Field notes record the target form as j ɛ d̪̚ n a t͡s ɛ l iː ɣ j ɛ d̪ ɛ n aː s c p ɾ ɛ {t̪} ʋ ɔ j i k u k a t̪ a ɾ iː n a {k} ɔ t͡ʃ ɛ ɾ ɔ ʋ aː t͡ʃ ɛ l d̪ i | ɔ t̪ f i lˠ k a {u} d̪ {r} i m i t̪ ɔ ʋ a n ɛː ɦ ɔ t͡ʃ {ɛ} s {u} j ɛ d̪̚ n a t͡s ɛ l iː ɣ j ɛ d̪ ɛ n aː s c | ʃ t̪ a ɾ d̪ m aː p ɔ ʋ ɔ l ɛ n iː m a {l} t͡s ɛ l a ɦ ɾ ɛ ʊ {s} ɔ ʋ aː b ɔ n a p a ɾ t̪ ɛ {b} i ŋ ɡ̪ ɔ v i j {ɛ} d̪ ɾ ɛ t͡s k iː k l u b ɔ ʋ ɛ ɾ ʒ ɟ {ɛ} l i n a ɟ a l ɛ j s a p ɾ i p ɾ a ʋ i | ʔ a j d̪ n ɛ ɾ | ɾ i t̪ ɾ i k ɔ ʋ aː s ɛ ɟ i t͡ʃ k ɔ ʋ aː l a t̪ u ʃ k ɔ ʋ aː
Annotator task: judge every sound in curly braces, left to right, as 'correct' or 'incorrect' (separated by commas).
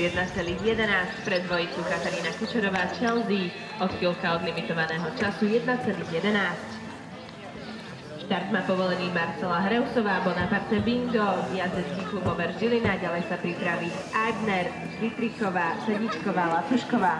incorrect, correct, incorrect, incorrect, incorrect, correct, incorrect, correct, correct, incorrect, incorrect